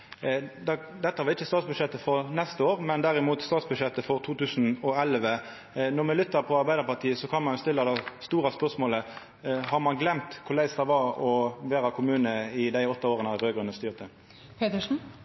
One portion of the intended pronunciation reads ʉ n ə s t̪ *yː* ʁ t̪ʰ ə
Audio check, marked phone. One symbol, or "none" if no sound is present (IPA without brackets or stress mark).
yː